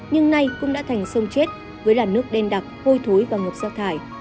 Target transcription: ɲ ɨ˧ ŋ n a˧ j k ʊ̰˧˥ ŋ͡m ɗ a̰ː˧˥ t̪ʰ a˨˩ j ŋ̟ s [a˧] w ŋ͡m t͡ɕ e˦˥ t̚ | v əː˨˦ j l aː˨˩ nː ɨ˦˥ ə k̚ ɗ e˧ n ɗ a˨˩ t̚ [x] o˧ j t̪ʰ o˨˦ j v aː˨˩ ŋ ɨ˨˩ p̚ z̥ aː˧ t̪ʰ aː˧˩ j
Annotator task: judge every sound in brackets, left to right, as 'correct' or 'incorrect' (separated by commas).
incorrect, incorrect